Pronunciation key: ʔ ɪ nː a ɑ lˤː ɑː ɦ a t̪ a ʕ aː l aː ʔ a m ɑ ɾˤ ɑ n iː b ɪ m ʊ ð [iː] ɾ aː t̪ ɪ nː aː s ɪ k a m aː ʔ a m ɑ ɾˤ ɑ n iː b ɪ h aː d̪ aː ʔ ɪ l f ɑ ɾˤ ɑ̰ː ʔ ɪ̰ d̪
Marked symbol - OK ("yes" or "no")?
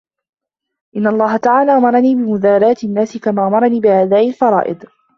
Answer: no